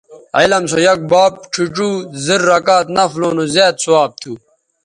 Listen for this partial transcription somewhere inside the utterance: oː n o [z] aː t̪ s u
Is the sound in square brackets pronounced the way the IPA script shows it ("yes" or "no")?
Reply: yes